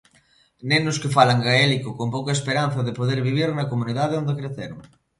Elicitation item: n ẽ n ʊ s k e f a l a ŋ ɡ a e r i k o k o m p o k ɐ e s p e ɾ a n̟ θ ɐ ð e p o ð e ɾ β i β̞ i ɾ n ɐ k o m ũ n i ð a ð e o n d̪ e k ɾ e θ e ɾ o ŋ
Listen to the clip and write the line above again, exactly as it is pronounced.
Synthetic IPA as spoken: n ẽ n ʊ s k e f a l a ŋ ɡ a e l i k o k o m p o k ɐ e s p e ɾ a n̟ θ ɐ ð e p o ð e ɾ β i β̞ i ɾ n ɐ k o m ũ n i ð a ð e o n d̪ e k ɾ e θ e ɾ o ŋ